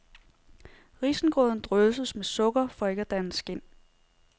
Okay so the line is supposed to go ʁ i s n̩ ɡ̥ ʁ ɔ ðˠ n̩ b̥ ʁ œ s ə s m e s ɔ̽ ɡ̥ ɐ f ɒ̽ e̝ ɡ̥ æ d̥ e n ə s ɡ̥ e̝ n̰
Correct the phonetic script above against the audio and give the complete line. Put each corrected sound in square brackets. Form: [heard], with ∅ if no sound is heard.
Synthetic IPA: ʁ i s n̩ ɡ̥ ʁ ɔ ðˠ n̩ [d̥] ʁ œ s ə s m e s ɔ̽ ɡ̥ ɐ f ɒ̽ e̝ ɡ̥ æ d̥ [æ] n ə s ɡ̥ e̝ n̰